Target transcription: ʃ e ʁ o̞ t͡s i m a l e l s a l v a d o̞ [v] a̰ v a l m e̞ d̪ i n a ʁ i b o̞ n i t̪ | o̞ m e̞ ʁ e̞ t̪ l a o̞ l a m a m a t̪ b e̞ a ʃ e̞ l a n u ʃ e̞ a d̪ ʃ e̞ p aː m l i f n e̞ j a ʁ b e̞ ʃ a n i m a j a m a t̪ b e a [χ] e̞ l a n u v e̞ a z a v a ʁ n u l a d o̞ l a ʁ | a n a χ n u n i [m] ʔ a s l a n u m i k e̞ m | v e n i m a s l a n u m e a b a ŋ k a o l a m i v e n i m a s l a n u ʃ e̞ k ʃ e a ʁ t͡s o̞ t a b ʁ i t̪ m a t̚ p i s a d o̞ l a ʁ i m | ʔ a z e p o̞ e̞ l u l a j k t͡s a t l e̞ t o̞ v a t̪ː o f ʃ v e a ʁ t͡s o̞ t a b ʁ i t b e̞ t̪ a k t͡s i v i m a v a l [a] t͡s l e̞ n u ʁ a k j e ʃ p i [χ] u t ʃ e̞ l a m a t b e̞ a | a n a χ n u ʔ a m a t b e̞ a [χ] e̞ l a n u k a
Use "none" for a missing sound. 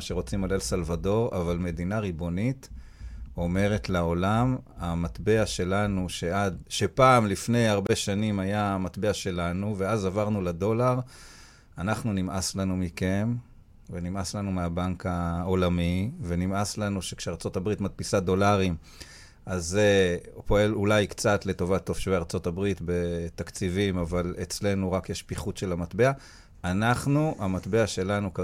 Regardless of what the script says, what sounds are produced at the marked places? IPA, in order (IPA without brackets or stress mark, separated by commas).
ʁ, ʃ, m, e, χ, ʃ